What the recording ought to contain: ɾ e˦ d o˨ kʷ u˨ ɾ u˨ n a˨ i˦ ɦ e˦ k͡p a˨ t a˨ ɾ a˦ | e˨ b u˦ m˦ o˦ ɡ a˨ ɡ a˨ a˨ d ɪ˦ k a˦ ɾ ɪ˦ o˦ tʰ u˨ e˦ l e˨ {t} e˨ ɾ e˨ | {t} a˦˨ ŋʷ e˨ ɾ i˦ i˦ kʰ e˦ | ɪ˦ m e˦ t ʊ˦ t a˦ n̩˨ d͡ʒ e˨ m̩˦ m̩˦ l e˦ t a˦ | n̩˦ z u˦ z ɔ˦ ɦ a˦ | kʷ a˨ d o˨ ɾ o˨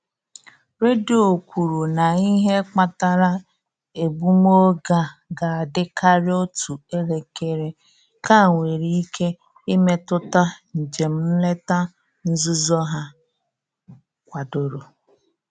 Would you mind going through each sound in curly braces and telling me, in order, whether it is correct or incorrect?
incorrect: k, incorrect: k

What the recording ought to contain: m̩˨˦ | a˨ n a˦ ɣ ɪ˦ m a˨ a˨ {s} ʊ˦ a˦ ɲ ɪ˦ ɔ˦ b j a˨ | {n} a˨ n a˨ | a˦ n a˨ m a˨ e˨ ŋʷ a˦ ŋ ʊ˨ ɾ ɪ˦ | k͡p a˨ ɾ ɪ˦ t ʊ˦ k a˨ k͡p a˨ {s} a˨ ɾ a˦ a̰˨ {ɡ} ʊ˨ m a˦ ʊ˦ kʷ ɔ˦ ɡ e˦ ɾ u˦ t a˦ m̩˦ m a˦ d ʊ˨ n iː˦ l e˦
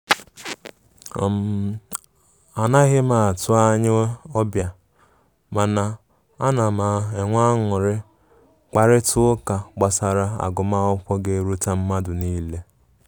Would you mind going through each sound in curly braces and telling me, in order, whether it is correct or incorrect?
incorrect: t, incorrect: m, correct, correct

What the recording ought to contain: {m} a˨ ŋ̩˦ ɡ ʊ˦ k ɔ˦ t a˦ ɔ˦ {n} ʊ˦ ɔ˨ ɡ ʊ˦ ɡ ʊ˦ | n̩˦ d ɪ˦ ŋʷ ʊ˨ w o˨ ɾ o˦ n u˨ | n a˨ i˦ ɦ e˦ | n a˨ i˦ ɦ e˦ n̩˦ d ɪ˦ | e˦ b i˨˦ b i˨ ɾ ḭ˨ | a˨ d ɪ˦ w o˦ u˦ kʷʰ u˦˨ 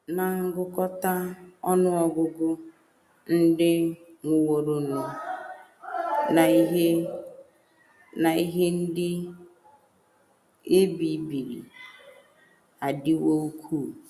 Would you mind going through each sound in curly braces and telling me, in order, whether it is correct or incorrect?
incorrect: n, correct

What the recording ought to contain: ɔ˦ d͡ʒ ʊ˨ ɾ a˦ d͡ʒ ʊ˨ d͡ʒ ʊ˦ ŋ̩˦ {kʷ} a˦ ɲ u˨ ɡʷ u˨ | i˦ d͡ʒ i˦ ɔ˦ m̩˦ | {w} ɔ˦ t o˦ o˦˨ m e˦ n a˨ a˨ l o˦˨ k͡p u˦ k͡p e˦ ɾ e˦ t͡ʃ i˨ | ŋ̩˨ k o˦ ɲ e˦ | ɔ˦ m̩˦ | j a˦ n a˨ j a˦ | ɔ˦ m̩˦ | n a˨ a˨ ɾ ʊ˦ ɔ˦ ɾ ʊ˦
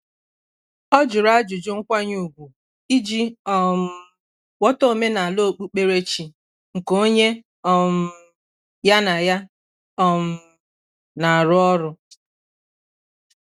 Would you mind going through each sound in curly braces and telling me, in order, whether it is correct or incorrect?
correct, correct

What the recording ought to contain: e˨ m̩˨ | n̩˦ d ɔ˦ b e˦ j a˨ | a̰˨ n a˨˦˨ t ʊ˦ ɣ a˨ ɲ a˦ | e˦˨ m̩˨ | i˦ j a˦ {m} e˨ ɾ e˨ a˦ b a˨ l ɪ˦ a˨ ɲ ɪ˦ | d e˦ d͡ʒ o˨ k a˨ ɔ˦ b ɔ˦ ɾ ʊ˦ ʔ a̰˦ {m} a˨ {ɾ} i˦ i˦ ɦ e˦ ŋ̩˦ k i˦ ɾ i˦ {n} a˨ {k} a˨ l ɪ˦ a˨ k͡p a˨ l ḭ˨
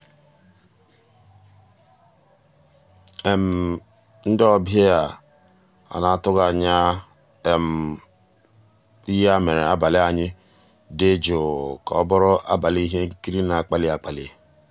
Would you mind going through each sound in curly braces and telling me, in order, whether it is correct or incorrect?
correct, incorrect: b, incorrect: l, correct, incorrect: k͡p

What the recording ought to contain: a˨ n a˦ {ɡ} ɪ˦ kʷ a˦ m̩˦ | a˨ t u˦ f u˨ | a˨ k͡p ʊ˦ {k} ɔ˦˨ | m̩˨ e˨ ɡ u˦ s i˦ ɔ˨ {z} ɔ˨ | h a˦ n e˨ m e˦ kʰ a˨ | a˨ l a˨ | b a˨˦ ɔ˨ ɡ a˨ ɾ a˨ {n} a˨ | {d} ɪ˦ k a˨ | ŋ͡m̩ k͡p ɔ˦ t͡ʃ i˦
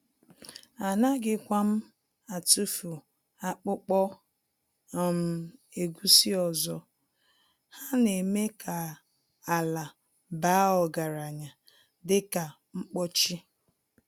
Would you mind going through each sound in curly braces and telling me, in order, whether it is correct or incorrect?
correct, incorrect: k͡p, correct, incorrect: ɲ, correct

